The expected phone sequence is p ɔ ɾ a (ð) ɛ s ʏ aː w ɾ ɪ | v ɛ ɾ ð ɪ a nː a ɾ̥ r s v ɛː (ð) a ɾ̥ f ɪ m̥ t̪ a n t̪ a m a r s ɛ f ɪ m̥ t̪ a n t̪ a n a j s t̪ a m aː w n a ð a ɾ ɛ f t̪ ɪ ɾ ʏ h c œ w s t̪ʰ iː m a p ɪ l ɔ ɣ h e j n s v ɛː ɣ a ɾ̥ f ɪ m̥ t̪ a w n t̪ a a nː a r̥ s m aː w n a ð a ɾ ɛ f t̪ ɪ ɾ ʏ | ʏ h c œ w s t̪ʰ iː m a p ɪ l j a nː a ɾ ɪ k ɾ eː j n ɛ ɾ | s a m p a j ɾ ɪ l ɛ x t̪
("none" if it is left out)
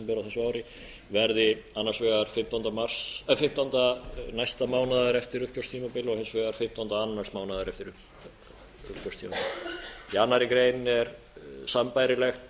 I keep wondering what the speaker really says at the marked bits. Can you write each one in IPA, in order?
θ, ɣ

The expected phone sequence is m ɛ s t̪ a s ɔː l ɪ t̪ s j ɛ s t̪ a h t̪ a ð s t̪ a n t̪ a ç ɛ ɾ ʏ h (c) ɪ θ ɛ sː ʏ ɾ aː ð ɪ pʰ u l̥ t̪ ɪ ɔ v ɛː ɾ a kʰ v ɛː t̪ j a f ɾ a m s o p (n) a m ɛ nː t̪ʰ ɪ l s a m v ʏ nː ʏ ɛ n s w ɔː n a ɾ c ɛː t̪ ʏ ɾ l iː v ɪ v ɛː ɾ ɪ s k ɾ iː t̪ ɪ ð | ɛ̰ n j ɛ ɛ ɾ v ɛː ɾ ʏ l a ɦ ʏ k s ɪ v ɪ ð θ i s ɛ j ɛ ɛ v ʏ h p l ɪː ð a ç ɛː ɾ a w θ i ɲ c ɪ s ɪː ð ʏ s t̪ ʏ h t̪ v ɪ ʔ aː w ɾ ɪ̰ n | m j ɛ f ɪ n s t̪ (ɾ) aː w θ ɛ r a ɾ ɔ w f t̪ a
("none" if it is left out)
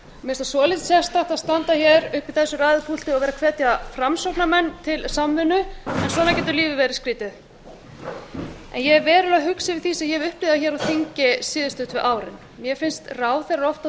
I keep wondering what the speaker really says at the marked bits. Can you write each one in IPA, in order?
p, n, r

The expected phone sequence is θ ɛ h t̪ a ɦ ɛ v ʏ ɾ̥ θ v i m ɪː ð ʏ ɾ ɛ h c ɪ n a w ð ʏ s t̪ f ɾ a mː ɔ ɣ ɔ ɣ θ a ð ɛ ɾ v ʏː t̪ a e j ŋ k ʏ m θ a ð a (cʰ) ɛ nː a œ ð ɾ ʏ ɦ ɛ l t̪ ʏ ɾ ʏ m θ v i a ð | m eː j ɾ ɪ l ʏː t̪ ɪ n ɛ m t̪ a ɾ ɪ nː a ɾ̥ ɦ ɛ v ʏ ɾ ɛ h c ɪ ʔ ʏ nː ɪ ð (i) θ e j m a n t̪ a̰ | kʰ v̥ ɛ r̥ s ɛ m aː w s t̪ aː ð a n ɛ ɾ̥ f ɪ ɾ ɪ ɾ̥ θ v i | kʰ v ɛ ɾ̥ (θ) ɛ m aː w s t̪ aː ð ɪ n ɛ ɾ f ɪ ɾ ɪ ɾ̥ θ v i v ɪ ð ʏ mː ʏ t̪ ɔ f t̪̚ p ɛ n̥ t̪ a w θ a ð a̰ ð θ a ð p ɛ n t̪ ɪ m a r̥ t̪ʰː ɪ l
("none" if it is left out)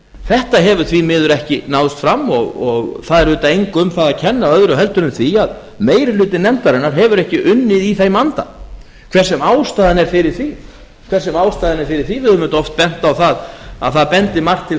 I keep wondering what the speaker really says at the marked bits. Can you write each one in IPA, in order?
cʰ, i, s

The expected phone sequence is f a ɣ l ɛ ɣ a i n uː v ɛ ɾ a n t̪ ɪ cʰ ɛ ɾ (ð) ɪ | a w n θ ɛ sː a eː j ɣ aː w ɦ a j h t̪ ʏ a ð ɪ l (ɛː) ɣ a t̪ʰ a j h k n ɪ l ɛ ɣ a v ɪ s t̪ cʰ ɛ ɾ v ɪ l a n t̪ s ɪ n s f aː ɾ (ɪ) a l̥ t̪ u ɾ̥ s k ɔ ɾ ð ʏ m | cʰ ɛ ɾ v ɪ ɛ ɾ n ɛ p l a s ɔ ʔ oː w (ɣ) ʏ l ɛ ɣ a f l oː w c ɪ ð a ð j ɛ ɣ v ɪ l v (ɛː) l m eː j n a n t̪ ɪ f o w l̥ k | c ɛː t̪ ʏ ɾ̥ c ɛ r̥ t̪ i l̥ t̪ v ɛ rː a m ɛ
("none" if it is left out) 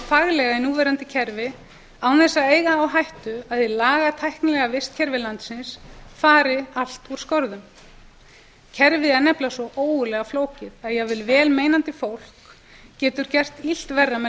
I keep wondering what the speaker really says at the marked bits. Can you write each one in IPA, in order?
v, aː, ɪ, ɣ, ɛː

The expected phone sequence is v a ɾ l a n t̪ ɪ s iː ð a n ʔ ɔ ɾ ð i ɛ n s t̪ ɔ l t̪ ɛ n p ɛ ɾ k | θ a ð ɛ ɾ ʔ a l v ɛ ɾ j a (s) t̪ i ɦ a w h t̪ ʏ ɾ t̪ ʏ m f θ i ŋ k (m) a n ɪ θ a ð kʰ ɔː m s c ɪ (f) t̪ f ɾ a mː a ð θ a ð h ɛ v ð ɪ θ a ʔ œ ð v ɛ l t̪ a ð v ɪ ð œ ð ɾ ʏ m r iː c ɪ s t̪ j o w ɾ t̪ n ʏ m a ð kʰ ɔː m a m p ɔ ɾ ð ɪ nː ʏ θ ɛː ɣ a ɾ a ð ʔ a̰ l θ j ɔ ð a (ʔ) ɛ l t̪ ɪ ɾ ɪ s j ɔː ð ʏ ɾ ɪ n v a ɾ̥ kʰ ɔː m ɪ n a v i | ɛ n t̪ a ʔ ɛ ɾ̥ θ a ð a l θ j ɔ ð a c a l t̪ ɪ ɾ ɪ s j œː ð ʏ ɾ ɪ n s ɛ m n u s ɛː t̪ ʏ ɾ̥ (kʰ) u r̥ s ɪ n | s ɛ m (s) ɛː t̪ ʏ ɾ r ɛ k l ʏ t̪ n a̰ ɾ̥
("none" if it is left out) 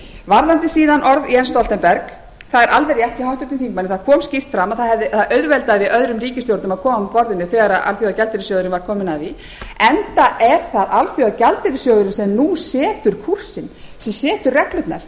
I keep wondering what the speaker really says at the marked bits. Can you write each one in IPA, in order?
h, m, f, c, kʰ, s

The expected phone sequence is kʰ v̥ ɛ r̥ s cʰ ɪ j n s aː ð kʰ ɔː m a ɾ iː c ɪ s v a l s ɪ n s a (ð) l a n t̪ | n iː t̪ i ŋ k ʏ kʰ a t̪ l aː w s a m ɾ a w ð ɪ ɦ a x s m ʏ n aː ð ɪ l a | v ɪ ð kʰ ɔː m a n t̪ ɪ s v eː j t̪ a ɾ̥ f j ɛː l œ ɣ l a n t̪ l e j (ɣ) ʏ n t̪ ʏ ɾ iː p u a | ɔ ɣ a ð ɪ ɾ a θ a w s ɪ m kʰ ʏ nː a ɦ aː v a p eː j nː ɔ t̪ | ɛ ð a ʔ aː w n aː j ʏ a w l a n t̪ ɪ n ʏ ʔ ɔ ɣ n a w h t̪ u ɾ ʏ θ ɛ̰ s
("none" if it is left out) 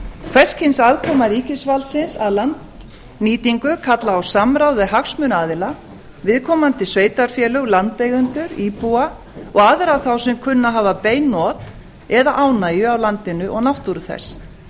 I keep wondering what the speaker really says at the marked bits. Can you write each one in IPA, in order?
ð, ɣ

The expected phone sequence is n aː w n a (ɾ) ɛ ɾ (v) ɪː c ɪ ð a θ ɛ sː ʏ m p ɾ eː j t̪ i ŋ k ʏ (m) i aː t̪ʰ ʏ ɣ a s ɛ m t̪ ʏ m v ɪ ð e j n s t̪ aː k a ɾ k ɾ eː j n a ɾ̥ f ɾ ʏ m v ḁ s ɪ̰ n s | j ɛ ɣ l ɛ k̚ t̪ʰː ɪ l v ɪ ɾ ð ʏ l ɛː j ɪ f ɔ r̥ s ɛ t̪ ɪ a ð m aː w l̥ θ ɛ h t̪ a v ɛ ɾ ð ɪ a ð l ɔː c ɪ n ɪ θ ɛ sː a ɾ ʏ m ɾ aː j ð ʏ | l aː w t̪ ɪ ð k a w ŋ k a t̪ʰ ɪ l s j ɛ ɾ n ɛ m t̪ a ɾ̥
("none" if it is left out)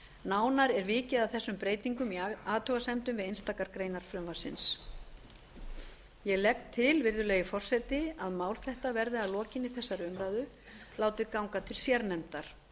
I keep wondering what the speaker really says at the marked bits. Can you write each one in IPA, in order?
ɾ, v, m

